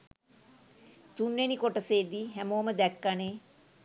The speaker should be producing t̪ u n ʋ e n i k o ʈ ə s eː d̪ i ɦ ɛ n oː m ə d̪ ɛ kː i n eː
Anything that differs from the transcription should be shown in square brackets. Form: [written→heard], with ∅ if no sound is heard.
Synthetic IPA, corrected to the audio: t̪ u n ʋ e n i k o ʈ ə s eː d̪ i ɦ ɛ [n→m] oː m ə d̪ ɛ kː [i→a] n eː